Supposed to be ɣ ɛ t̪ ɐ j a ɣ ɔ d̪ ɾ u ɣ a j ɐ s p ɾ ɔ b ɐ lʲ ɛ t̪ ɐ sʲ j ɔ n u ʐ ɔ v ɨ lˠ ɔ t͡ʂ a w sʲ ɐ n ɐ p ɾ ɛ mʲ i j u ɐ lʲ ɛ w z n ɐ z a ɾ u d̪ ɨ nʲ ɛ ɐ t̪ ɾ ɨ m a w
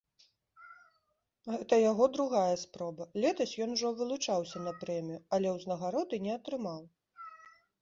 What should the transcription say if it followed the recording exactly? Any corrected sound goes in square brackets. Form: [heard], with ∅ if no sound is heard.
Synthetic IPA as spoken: ɣ ɛ t̪ ɐ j a ɣ ɔ d̪ ɾ u ɣ a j ɐ s p ɾ ɔ b ɐ lʲ ɛ t̪ ɐ sʲ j ɔ n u ʐ ɔ v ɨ lˠ [u] t͡ʂ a w sʲ ɐ n ɐ p ɾ ɛ mʲ i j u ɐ lʲ ɛ w z n ɐ [ɣ] a ɾ [ɔ] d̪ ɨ nʲ ɛ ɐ t̪ ɾ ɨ m a w